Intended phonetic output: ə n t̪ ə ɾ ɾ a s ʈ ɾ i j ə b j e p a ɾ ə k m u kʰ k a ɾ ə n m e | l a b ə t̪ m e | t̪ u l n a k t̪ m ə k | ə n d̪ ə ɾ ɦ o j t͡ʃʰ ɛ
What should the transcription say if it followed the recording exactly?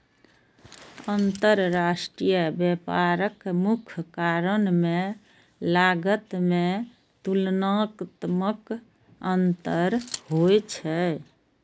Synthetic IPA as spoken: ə n t̪ ə ɾ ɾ a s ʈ ɾ i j ə b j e p a ɾ ə k m u kʰ k a ɾ ə n m e | l a ɡ ə t̪ m e | t̪ u l n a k t̪ m ə k | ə n t̪ ə ɾ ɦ o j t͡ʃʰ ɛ